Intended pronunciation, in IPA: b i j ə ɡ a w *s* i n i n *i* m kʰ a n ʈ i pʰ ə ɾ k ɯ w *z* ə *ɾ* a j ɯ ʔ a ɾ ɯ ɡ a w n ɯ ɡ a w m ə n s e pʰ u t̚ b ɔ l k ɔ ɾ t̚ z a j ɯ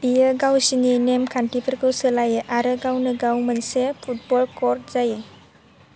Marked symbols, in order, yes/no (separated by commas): yes, no, no, no